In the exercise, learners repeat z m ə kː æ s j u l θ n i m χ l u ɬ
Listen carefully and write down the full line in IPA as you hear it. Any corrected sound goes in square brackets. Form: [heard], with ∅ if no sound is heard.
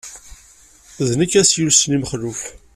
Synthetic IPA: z [n] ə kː æ s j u l [s] n i m χ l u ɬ

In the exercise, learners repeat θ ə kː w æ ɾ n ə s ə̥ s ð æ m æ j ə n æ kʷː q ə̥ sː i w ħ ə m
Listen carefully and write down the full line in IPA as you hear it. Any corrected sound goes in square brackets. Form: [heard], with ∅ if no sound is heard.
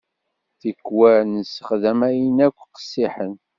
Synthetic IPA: θ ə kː w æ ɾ n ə s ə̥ [χ] ð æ m æ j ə n æ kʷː q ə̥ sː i [∅] ħ ə [n]

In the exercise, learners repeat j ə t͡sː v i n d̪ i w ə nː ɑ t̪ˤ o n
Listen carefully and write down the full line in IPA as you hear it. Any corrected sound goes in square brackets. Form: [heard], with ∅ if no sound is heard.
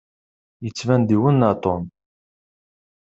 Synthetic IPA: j ə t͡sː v [æ] n d̪ i w ə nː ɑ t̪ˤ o n

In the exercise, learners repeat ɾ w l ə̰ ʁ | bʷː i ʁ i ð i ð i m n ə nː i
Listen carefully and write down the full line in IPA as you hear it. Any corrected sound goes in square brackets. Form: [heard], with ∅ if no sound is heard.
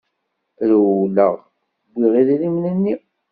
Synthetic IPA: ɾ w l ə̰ ʁ | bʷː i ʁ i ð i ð i m n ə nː i

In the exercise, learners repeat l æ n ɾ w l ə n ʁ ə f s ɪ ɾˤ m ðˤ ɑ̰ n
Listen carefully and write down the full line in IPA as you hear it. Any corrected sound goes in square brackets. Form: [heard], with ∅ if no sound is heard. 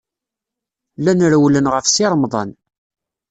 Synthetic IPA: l æ n ɾ w l ə n ʁ ə f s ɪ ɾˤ m ðˤ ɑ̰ n

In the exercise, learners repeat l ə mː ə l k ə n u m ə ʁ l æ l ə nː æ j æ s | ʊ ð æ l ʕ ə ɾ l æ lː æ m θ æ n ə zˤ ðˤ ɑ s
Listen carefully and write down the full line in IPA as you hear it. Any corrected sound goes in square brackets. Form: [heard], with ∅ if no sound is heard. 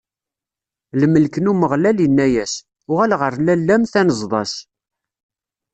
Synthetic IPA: l ə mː ə l k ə n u m ə ʁ l æ l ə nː æ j æ s | ʊ [ʁ] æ l [ʁ] ə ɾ l æ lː æ m θ æ n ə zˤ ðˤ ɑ s

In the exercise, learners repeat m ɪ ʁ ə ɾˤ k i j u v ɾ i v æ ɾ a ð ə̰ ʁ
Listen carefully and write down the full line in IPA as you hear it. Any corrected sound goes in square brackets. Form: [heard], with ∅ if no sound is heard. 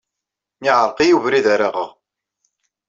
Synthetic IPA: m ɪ [ʕ] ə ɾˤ [q] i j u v ɾ i [ð] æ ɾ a [ʁ] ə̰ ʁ

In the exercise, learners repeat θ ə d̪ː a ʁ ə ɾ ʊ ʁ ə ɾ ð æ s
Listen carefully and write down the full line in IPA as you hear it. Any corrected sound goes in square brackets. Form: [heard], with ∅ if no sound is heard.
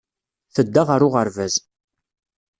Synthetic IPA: θ ə d̪ː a ʁ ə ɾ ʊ ʁ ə ɾ [v] æ [z]

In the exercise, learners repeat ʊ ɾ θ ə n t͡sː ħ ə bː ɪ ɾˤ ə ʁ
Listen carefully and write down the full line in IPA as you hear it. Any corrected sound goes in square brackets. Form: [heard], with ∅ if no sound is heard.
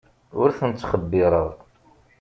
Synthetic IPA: ʊ ɾ θ ə n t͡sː [χ] ə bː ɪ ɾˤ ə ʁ

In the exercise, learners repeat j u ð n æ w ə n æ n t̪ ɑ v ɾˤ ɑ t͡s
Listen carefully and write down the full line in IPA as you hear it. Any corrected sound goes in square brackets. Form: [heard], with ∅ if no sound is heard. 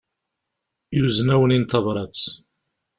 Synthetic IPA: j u [z] n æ w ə n [i] n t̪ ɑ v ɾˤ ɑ t͡s

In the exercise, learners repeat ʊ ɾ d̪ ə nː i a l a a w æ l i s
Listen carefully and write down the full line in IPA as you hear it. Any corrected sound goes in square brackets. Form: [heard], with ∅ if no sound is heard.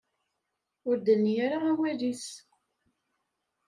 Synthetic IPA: ʊ ɾ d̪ ə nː [j] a [ɾ] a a w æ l i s

